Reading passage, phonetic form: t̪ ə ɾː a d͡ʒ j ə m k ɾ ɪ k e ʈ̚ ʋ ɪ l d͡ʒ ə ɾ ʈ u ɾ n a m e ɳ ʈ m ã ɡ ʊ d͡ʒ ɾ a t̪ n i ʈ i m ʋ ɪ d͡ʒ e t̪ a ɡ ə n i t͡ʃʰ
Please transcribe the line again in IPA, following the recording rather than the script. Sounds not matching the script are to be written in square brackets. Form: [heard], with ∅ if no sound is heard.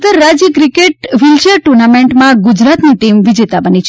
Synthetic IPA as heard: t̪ ə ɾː a d͡ʒ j ə [∅] k ɾ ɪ k e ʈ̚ ʋ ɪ l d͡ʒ ə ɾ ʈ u ɾ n a m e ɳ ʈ m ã ɡ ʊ d͡ʒ ɾ a t̪ n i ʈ i m ʋ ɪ d͡ʒ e t̪ a [b] ə n i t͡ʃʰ